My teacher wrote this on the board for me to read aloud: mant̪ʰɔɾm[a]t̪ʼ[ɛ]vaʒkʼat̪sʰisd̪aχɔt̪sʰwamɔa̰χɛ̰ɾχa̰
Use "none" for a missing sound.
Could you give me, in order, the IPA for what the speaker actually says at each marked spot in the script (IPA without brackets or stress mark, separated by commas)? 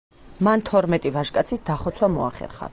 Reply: ɛ, i